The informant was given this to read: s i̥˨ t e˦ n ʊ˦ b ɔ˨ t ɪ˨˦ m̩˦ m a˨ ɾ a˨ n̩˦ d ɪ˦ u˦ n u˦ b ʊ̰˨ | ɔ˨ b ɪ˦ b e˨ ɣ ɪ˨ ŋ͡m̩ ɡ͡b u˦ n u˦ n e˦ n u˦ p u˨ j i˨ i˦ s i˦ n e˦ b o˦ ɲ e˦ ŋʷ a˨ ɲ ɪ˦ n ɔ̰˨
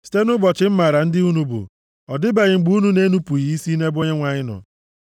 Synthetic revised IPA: s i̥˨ t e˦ n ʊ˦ b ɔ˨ t͡ʃ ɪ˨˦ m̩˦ m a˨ ɾ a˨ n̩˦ d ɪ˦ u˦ n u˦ b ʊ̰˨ | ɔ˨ d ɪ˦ b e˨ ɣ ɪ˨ ŋ͡m̩ ɡ͡b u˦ n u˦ n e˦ n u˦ p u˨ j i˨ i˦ s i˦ n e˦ b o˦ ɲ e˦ ŋʷ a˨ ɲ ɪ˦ n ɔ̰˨